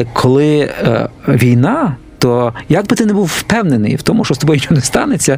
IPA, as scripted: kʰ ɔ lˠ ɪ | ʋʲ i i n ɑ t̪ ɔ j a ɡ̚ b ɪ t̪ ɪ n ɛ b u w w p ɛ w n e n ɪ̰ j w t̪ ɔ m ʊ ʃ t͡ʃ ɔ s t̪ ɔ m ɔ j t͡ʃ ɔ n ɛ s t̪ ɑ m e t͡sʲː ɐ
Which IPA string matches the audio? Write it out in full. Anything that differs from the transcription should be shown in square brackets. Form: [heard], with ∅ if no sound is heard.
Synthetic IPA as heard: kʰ ɔ lˠ ɪ | ʋʲ i [j] n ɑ t̪ ɔ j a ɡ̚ b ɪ t̪ ɪ n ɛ b u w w p ɛ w n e n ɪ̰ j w t̪ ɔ m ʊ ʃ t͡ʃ ɔ s t̪ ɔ [b] ɔ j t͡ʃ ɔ n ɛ s t̪ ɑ [n] e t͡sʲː ɐ